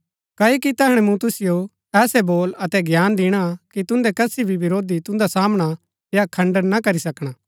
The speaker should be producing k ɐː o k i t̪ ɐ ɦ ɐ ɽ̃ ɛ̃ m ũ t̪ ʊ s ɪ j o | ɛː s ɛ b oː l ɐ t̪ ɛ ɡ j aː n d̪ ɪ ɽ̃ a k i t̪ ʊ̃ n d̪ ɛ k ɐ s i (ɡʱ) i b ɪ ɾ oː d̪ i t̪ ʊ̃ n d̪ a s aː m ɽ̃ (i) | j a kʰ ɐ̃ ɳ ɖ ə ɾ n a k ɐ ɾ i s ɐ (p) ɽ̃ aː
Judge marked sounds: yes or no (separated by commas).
no, no, no